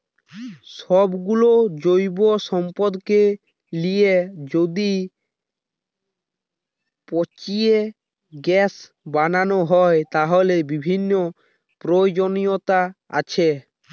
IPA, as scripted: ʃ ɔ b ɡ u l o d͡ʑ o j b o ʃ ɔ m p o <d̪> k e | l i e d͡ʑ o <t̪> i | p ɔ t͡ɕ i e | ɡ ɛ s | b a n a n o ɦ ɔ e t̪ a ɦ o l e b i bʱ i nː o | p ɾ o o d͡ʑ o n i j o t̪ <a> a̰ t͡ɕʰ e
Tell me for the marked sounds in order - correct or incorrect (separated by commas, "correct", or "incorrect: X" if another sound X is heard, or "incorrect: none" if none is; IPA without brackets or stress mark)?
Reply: correct, incorrect: d̪, correct